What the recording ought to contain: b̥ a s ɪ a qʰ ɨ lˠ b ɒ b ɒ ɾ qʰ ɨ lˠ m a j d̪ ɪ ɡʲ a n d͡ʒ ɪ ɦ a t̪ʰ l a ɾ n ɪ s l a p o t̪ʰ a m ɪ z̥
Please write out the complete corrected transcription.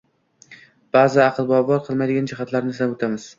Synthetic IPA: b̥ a z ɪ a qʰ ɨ lˠ b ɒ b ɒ ɾ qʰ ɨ lˠ m a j d̪ ɪ ɡʲ a n d͡ʒ ɪ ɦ a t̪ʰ l a ɾ n ɪ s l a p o t̪ʰ a m ɪ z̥